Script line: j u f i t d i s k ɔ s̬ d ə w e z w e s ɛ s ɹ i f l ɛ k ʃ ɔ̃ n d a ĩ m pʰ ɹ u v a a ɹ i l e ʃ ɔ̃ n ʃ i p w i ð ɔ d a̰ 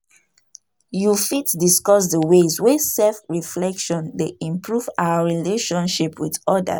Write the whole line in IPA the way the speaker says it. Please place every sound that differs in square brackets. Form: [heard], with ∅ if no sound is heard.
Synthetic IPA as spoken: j u f i t d i s k ɔ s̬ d ə w e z w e s ɛ [f] ɹ i f l ɛ k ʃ ɔ̃ n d [e] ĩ m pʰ ɹ u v a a ɹ i l e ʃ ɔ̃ n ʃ i p w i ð ɔ d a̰